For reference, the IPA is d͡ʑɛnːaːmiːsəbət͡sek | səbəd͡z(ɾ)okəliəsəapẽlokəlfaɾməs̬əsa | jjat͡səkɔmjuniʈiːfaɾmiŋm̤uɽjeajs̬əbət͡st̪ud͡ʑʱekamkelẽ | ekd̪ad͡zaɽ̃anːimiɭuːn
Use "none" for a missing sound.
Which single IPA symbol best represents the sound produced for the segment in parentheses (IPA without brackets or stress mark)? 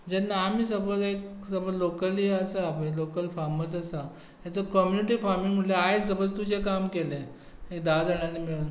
l